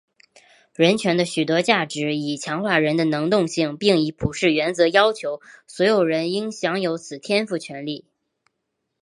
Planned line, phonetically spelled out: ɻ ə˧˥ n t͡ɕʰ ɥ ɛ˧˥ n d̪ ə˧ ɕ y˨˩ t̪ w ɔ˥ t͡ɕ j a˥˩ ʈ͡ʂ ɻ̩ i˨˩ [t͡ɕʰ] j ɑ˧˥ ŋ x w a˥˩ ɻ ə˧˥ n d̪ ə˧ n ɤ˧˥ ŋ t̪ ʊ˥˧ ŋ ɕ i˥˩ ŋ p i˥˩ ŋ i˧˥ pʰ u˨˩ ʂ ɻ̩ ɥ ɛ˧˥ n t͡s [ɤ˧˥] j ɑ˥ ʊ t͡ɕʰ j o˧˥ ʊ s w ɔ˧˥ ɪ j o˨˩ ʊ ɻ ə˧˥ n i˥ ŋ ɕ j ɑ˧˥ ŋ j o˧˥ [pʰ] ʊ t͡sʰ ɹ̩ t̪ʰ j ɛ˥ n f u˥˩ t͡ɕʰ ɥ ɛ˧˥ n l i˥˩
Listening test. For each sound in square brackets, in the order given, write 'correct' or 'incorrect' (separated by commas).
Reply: correct, correct, incorrect